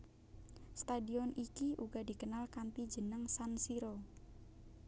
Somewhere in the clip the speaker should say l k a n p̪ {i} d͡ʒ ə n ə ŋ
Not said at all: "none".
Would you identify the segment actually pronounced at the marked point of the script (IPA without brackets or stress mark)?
i